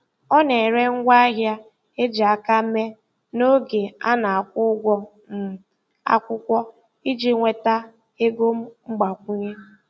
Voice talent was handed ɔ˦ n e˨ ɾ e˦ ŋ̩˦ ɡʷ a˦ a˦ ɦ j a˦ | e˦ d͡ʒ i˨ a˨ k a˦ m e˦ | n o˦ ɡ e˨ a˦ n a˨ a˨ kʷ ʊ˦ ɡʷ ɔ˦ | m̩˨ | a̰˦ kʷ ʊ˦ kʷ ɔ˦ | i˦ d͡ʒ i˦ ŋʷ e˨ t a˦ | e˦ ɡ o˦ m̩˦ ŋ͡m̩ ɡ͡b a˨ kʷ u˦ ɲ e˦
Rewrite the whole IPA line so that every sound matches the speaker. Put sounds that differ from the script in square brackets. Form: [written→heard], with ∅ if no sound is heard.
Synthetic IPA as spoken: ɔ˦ n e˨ ɾ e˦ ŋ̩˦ ɡʷ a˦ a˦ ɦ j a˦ | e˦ d͡ʒ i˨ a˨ k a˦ m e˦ | n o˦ ɡ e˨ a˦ n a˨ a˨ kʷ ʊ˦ ɡʷ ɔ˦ | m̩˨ | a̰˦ kʷ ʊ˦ kʷ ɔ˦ | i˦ d͡ʒ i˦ ŋʷ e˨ t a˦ | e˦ ɡ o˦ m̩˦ ŋ͡m̩ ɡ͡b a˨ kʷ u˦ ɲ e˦